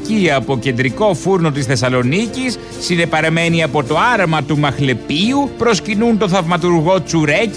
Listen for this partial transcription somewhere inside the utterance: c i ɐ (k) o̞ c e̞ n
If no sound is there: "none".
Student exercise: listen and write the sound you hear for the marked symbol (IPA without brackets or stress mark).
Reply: p